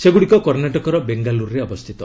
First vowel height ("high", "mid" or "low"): mid